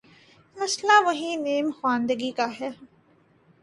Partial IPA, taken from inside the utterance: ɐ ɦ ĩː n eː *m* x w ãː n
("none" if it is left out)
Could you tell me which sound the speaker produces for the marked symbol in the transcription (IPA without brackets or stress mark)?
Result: m